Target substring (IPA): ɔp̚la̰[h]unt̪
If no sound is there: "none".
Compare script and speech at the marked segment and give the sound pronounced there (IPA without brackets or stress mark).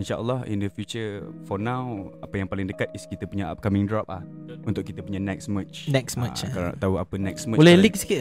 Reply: h